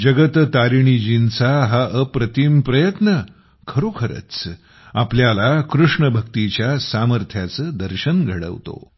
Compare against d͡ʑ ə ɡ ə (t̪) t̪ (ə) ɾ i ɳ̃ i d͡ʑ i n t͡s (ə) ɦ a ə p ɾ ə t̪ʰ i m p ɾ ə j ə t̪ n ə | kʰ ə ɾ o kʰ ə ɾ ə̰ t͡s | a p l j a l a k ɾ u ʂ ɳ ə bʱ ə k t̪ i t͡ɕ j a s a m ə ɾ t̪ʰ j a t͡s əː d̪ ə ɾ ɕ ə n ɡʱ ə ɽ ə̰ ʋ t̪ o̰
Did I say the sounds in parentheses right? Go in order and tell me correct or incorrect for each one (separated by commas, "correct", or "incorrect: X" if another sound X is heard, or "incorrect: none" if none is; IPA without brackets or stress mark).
correct, incorrect: a, incorrect: a